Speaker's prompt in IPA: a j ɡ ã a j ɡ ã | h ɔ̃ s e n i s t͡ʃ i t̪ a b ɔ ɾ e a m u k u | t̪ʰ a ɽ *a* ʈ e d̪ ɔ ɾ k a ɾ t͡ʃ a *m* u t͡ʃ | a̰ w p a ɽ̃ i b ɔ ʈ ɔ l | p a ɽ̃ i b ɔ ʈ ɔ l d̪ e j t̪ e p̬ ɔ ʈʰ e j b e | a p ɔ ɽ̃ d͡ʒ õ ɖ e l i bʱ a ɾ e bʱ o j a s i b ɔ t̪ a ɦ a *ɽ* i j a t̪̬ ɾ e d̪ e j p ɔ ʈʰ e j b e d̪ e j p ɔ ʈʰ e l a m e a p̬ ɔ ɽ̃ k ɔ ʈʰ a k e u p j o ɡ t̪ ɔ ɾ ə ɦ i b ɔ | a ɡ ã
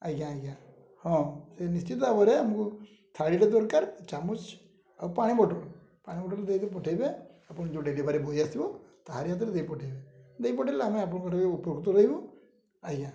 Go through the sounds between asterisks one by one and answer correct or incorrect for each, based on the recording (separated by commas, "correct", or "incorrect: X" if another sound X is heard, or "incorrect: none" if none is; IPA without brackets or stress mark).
incorrect: i, correct, incorrect: ɾ